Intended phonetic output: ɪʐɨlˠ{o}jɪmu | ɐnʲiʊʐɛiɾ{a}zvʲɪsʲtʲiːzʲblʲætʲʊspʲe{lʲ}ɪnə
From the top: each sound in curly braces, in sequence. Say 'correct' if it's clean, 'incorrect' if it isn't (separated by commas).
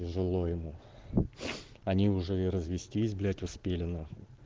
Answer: correct, incorrect, correct